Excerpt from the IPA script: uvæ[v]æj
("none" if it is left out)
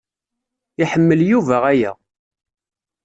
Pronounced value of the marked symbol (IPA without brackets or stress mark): ʁ